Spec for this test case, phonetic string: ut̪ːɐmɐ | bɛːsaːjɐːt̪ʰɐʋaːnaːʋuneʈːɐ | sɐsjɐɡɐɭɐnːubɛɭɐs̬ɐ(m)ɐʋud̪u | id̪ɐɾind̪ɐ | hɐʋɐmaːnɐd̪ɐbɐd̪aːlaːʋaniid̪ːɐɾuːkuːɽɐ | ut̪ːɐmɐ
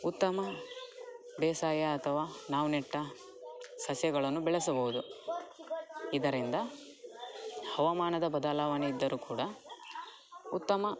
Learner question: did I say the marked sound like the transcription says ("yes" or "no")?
no